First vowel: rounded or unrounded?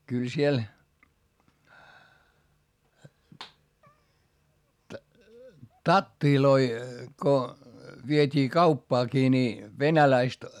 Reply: rounded